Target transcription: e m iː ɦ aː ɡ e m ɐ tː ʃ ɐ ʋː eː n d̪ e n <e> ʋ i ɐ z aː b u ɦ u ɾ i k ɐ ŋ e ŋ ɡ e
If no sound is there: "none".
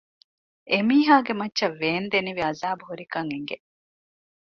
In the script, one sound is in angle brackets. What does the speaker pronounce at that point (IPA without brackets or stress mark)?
i